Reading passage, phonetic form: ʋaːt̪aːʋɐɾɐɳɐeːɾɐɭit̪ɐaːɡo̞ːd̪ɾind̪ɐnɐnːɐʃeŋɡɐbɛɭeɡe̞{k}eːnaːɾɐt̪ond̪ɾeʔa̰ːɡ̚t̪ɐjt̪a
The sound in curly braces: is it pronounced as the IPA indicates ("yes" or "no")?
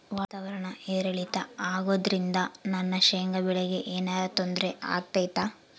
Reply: no